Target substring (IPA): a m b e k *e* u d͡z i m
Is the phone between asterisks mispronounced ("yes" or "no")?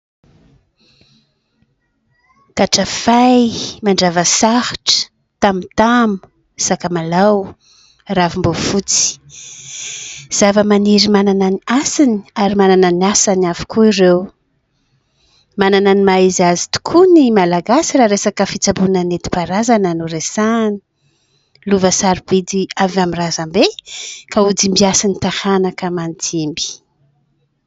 yes